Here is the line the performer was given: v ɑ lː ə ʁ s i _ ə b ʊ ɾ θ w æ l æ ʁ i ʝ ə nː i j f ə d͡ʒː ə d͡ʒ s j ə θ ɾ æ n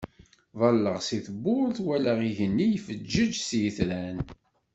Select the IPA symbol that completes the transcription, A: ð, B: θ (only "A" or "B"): B